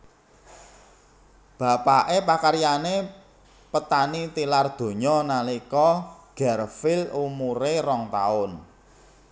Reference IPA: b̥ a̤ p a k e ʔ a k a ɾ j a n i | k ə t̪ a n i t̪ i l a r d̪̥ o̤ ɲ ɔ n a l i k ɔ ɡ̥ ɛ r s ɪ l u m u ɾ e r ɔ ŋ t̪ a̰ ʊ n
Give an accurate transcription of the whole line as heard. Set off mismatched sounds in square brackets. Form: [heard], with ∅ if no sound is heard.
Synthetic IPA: b̥ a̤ p a [ʔ] e [p] a k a ɾ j a n [e] | [p] ə t̪ a n i t̪ i l a r d̪̥ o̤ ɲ ɔ n a l i k ɔ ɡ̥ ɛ r [f] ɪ l u m u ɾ e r ɔ ŋ t̪ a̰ ʊ n